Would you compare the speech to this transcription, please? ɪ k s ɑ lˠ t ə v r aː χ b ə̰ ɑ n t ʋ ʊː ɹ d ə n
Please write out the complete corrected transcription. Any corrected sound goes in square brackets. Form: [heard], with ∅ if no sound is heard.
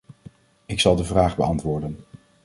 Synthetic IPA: ɪ k s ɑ lˠ [d] ə v r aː χ b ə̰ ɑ n t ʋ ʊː ɹ d ə n

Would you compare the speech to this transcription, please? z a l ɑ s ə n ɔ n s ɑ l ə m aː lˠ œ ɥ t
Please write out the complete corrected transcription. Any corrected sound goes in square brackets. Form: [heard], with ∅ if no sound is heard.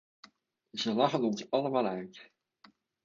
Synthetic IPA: z [ə] l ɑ [χ] ə n ɔ n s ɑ l ə m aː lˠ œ ɥ t

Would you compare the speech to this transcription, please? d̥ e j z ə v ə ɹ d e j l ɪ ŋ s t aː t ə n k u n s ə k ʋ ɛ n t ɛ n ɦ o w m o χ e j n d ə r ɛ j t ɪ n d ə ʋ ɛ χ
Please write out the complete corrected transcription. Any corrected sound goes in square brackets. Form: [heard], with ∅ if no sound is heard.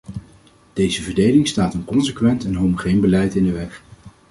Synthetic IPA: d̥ e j z ə v ə ɹ d e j l ɪ ŋ s t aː t ə n k [ɔ] n s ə k ʋ ɛ n t ɛ n ɦ o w m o χ e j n [b] ə [l] ɛ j t ɪ n d ə ʋ ɛ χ

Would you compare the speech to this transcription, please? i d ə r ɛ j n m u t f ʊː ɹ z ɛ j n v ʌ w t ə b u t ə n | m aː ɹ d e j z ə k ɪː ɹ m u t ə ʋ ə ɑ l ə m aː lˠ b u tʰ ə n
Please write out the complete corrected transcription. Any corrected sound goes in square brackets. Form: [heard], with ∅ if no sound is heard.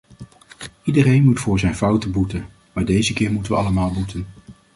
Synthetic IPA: i d ə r [e] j n m u t f ʊː ɹ z ɛ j n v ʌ w t ə b u t ə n | m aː ɹ d e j z ə k ɪː ɹ m u t ə ʋ ə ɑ l ə m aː lˠ b u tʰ ə n

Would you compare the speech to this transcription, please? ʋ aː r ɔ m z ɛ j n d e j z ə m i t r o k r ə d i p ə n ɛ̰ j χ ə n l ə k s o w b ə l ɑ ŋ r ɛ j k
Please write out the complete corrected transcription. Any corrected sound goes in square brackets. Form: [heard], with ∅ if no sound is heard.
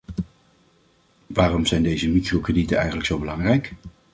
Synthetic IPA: ʋ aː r ɔ m z ɛ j n d e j z ə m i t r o k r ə d i [t] ə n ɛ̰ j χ ə n l ə k s o w b ə l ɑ ŋ r ɛ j k

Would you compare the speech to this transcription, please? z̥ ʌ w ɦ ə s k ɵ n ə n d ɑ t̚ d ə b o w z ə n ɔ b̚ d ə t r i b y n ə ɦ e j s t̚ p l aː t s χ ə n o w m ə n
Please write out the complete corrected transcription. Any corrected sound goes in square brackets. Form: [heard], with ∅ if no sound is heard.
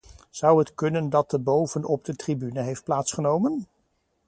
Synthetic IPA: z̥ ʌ w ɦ ə [t] k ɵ n ə n d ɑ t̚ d ə b o w [v] ə n ɔ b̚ d ə t r i b y n ə ɦ e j [f] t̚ p l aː t s χ ə n o w m ə n

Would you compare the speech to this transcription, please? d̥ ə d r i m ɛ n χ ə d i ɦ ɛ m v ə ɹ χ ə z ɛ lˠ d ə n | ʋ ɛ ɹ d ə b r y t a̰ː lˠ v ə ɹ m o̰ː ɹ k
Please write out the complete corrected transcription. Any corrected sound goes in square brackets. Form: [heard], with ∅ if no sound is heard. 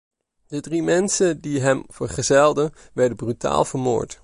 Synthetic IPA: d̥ ə d r i m ɛ n [s] ə d i ɦ ɛ m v ə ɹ χ ə z ɛ lˠ d ə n | ʋ ɛ ɹ d ə b r y t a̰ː lˠ v ə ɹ m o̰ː ɹ [t]

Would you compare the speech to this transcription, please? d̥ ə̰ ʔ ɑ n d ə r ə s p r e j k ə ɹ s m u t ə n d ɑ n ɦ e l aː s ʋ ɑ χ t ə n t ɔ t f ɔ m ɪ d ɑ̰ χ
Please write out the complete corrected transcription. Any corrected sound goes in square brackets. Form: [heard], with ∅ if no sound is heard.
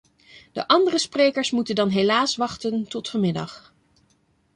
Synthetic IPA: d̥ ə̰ ʔ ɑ n d ə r ə s p r e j k ə ɹ s m u t ə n d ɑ n ɦ e l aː s ʋ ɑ χ t ə n t ɔ t f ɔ m ɪ d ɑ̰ χ

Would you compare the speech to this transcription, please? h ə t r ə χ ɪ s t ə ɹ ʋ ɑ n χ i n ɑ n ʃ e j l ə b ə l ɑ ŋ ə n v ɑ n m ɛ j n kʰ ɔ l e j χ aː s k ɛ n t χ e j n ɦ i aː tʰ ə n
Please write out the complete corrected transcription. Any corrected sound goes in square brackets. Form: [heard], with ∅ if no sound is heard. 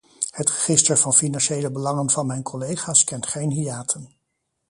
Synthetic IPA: h ə t r ə χ ɪ s t ə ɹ [v] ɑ n [f] i n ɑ n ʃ e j l ə b ə l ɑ ŋ ə n v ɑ n m ɛ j n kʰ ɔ l e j χ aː s k ɛ n t χ e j n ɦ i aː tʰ ə n

